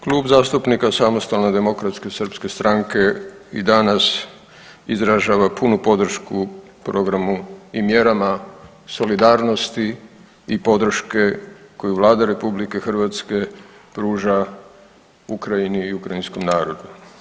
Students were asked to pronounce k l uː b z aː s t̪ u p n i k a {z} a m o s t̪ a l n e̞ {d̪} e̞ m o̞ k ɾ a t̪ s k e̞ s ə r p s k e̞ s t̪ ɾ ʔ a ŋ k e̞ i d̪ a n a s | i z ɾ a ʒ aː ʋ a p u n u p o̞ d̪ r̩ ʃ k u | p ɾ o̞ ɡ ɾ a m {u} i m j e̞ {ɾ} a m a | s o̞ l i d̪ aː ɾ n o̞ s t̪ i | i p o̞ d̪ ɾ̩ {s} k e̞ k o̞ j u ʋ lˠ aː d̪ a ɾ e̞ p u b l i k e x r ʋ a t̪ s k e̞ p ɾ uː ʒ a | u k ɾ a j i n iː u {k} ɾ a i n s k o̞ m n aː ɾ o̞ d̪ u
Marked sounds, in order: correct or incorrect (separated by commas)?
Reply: incorrect, correct, correct, correct, incorrect, correct